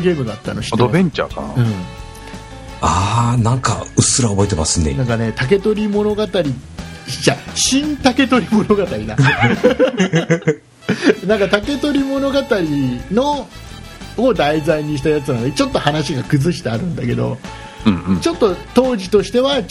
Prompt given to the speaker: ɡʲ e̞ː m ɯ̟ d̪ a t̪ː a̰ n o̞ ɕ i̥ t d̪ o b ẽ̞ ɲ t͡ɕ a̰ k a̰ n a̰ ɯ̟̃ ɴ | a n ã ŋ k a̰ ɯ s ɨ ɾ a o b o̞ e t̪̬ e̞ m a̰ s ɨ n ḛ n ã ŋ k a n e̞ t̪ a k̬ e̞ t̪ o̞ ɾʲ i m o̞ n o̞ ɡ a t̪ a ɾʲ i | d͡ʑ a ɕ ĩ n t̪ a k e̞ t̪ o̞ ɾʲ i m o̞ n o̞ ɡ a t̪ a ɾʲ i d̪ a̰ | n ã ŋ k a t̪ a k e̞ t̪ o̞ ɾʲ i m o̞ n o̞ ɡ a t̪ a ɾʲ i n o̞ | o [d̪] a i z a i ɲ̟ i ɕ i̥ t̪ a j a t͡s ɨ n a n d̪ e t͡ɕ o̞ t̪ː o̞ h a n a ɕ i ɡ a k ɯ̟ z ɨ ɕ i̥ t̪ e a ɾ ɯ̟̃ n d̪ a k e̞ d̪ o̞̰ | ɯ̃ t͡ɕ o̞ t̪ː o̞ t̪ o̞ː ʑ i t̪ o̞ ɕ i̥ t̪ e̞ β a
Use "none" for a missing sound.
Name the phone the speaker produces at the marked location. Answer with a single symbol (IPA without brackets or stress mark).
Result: d̪